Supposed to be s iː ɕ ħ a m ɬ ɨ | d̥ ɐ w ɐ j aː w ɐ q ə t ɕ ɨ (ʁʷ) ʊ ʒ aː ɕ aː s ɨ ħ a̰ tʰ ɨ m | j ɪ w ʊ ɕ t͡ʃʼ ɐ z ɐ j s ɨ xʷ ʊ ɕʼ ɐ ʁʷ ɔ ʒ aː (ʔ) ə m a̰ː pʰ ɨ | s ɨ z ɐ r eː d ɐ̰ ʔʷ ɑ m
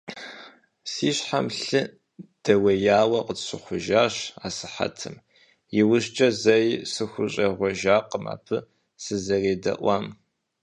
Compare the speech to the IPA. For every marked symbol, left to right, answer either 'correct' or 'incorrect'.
incorrect, incorrect

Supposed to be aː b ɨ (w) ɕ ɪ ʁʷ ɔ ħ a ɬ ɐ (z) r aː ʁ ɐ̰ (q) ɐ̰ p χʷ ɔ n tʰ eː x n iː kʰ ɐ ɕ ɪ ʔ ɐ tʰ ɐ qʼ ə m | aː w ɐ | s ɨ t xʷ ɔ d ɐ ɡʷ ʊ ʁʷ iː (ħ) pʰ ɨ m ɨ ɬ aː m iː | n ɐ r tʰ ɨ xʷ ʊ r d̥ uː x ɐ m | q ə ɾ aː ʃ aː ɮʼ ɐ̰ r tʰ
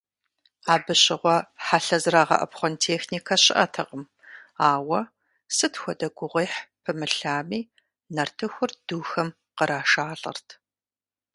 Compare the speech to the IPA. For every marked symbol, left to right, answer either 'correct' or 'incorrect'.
incorrect, correct, incorrect, correct

